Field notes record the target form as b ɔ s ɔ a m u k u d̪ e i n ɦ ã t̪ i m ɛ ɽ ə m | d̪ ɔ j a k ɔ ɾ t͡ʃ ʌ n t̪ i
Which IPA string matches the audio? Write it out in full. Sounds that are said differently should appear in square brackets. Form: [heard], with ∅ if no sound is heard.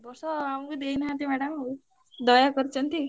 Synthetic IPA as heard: b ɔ s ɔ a m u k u d̪ e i n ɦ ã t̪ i m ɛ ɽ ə m | d̪ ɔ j a k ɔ ɾ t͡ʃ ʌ n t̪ i